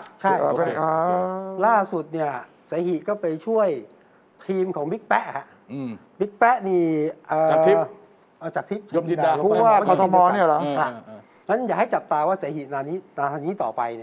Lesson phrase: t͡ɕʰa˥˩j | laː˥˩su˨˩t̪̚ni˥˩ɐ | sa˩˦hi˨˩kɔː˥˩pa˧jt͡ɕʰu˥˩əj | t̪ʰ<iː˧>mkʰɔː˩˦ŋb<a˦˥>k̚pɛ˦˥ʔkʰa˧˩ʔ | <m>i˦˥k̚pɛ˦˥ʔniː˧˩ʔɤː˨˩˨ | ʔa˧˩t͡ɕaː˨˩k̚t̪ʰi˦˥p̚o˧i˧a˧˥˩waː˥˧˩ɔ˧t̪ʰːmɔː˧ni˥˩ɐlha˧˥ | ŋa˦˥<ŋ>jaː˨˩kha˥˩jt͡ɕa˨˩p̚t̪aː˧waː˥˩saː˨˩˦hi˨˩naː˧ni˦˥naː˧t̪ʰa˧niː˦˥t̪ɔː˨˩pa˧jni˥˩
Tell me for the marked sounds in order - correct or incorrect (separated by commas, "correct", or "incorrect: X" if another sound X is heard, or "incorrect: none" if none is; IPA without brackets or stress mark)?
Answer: correct, incorrect: i˦˥, incorrect: b, incorrect: n